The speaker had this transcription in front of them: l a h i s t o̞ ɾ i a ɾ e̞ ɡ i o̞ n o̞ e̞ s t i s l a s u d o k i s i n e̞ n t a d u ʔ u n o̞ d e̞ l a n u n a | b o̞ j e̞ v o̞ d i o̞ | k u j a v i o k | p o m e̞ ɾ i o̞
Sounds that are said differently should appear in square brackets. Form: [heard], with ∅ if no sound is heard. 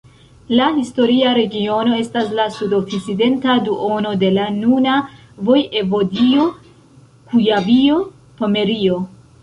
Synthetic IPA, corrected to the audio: l a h i s t o̞ ɾ i a ɾ e̞ ɡ i o̞ n o̞ e̞ s t [a] s l a s u d o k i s i [d] e̞ n t a d u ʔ [o] n o̞ d e̞ l a n u n a | [v] o̞ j e̞ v o̞ d i o̞ | k u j a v i o [∅] | p o m e̞ ɾ i o̞